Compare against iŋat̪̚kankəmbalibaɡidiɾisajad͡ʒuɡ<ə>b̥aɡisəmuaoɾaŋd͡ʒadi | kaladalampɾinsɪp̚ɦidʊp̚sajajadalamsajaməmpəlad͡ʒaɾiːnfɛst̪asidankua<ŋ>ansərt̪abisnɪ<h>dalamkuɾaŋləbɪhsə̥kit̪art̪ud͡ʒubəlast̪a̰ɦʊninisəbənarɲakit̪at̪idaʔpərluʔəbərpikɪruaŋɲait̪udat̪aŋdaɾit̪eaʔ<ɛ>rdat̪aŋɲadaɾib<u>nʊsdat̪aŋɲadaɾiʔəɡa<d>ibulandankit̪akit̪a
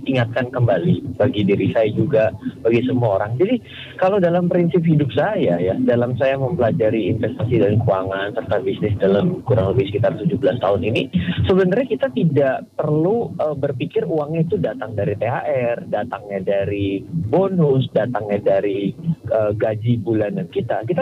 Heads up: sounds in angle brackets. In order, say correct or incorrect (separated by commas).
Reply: incorrect, correct, incorrect, correct, incorrect, incorrect